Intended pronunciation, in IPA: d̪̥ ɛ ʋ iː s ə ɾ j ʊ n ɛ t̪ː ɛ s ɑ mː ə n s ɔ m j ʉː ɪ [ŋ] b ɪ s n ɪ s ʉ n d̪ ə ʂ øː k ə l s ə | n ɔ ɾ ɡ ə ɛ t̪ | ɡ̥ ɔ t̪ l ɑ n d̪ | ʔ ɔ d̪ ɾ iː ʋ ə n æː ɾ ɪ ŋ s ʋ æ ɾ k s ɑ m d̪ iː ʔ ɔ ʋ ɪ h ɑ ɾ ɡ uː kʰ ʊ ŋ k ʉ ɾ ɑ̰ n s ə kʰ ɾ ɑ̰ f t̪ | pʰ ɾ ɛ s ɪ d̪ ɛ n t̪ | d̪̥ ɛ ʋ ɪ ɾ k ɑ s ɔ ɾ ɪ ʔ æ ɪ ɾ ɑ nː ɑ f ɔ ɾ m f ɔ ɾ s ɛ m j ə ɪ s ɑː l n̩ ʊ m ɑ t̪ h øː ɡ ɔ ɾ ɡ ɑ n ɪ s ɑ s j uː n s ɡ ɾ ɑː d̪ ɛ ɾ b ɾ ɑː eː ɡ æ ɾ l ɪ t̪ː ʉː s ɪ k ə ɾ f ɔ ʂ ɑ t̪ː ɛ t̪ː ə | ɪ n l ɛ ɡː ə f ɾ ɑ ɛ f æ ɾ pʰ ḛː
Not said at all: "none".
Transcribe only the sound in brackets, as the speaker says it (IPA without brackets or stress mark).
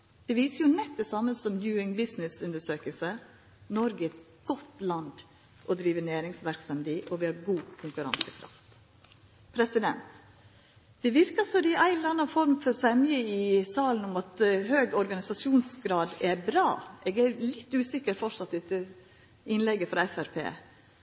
ŋ